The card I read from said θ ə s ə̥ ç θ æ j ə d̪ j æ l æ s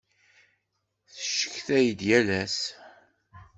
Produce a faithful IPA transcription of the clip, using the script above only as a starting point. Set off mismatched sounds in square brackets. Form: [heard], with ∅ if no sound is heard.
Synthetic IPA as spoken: θ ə [ʃ] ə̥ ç θ æ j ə d̪ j æ l æ s